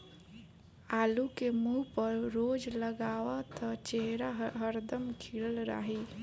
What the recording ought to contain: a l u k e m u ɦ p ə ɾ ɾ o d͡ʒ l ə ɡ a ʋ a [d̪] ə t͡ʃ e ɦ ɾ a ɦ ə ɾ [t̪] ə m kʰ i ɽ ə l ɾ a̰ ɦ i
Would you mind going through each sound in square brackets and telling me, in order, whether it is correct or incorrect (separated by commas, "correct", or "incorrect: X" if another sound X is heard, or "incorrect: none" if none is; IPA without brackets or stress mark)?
incorrect: t̪, incorrect: d̪